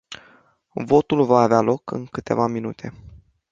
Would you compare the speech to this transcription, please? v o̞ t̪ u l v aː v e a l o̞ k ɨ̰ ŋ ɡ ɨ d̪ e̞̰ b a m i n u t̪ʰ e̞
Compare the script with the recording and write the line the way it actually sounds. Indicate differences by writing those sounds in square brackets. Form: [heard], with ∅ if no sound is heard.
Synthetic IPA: v o̞ t̪ u l v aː v e a l o̞ k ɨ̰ ŋ [k] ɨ [t̪] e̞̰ [v] a m i n u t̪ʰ e̞